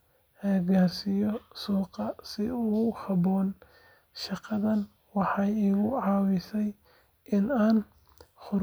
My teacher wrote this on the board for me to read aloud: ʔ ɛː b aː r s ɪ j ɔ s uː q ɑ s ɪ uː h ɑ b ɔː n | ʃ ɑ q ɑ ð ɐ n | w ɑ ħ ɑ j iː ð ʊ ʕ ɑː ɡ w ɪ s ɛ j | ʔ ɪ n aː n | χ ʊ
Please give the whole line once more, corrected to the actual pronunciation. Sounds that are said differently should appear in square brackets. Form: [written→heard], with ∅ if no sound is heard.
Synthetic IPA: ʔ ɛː [b→ɡ] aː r s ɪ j ɔ s uː q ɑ s ɪ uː h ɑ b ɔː n | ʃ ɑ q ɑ ð ɐ n | w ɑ ħ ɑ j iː [ð→ɣ] ʊ ʕ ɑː [ɡ→∅] w ɪ s ɛ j | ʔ ɪ n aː n | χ ʊ